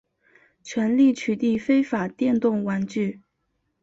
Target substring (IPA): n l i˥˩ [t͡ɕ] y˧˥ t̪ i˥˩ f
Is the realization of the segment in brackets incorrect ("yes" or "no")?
yes